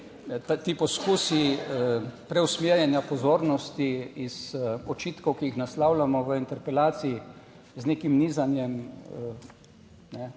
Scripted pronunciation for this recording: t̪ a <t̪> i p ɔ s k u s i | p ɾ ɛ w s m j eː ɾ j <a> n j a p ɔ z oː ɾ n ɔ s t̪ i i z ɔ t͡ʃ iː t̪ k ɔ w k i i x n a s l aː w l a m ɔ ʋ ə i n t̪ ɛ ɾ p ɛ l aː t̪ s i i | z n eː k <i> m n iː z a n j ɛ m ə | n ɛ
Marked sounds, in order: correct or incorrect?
correct, incorrect: ɛ, correct

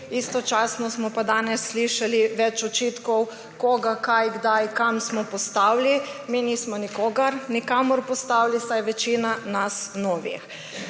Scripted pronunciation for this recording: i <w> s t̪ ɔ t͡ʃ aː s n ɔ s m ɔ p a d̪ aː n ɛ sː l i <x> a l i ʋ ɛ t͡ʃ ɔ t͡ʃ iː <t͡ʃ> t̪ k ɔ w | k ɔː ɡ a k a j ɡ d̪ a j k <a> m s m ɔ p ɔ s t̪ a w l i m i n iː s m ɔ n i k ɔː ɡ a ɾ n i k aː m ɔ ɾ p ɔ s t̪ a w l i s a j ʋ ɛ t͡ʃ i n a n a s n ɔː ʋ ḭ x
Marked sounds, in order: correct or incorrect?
incorrect: none, incorrect: ʃ, incorrect: none, correct

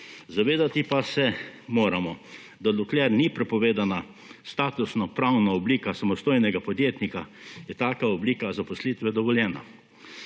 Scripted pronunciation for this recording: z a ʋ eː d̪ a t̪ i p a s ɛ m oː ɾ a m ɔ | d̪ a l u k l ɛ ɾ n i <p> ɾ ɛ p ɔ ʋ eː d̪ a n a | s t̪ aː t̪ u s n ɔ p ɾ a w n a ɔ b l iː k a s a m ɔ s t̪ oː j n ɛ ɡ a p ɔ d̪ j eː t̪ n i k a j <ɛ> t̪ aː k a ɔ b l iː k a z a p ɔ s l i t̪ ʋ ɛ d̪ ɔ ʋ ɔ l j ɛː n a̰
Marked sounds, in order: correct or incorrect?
correct, correct

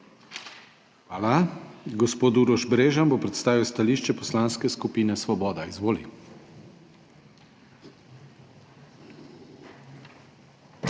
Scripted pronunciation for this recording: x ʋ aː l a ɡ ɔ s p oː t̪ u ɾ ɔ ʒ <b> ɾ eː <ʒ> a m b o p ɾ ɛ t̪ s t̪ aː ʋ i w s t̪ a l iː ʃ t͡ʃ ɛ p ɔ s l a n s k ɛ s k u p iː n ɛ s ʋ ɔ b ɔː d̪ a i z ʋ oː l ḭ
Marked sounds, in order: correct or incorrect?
correct, correct

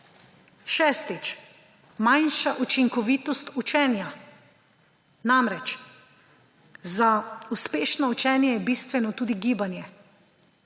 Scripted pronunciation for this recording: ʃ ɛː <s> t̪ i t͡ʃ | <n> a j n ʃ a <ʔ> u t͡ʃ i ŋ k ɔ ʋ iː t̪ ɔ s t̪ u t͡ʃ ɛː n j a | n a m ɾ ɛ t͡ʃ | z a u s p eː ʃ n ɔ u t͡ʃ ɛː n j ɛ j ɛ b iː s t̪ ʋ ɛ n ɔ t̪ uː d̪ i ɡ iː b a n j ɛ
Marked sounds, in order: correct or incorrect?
correct, incorrect: m, correct

